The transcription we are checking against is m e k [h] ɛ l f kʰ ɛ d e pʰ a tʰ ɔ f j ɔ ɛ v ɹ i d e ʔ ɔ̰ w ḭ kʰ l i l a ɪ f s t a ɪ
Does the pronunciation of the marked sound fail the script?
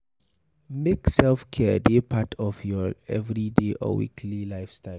yes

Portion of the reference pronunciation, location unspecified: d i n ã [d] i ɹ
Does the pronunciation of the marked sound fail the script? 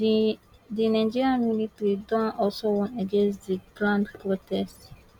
yes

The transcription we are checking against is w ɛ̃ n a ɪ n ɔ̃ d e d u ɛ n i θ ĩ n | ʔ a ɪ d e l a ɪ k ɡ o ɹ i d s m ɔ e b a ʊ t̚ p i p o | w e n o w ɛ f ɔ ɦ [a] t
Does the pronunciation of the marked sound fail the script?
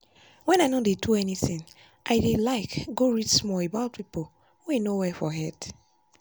yes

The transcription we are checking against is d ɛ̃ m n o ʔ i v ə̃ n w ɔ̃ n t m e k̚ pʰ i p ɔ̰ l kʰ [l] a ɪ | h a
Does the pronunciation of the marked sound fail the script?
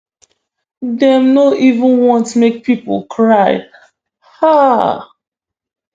yes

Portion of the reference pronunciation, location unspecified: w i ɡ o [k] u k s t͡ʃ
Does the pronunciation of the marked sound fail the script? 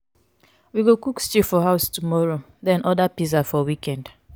no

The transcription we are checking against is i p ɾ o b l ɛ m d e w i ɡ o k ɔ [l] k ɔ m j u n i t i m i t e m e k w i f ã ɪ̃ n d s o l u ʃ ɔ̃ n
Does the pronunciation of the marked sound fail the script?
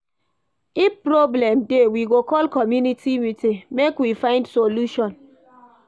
no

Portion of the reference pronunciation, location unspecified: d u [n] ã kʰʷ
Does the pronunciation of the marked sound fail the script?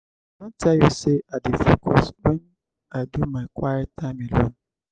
yes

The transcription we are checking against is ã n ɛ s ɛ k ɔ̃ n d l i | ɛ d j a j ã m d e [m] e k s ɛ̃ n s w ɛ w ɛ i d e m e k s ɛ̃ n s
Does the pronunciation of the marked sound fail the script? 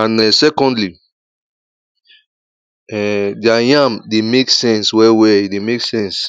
no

